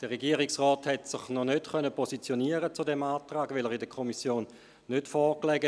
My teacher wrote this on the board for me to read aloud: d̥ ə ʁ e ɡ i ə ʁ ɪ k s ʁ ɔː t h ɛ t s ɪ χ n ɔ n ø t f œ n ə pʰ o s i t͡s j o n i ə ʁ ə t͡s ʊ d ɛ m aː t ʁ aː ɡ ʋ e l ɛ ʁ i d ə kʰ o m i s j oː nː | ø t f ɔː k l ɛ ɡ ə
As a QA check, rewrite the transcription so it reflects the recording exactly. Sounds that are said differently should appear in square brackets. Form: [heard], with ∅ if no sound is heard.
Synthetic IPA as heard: d̥ ə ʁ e ɡ i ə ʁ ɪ k s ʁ ɔː t h ɛ t s ɪ χ n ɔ n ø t [χ] œ n ə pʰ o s i t͡s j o n i ə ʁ ə t͡s [u] d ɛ m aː t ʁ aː ɡ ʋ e l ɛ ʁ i d ə kʰ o m i s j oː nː | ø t f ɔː k l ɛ ɡ ə